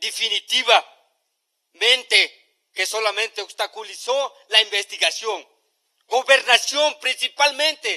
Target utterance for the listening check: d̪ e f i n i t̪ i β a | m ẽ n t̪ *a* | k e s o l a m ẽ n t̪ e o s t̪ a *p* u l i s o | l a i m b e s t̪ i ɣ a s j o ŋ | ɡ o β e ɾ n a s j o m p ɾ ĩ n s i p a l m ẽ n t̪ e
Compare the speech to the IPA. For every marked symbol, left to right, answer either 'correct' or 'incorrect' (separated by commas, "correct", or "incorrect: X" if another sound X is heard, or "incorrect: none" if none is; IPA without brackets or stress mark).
incorrect: e, incorrect: k